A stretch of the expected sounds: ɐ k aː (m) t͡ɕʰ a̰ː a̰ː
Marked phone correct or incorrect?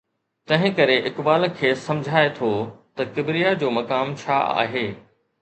correct